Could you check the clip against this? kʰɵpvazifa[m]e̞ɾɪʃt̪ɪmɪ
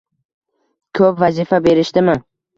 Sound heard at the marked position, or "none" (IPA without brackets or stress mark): b